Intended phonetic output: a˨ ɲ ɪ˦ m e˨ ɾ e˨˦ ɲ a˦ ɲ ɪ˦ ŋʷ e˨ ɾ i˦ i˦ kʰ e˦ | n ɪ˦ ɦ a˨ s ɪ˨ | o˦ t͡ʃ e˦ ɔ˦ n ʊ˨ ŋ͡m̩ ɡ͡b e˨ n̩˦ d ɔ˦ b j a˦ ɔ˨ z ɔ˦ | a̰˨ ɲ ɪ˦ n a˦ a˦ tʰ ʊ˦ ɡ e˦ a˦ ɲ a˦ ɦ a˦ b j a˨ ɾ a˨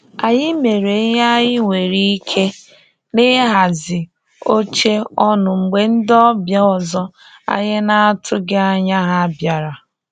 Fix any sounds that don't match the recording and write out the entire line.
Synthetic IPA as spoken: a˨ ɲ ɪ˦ m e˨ ɾ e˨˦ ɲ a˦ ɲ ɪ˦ ŋʷ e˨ ɾ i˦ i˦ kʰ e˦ | n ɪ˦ ɦ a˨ z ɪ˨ | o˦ t͡ʃ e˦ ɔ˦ n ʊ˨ ŋ͡m̩ ɡ͡b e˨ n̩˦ d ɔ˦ b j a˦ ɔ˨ z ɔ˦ | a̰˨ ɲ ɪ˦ n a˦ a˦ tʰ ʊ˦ ɡ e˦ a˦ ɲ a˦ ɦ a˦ b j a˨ ɾ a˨